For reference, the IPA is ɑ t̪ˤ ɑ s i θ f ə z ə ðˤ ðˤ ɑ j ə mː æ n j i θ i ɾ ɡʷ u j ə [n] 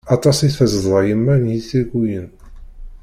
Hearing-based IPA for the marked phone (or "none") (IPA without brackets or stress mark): n